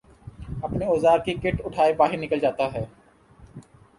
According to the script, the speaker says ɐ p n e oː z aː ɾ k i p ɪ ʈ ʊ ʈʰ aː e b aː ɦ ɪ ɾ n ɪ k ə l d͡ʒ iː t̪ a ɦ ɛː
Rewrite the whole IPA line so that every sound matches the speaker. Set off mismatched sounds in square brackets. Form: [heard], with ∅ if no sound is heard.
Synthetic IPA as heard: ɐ p n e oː z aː ɾ k i [k] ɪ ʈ ʊ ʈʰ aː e b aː ɦ ɪ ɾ n ɪ k ə l d͡ʒ [aː] t̪ a ɦ ɛː